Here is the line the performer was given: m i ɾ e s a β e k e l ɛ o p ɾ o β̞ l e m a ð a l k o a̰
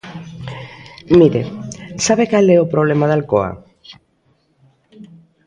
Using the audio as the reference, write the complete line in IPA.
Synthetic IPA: m i ɾ e s a β e k a l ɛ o p ɾ o β̞ l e m a ð a l k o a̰